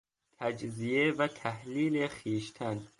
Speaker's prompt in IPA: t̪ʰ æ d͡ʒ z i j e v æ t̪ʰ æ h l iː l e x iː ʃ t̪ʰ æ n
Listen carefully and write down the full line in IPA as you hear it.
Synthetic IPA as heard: t̪ʰ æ d͡ʒ z i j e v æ t̪ʰ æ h l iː l e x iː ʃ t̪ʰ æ n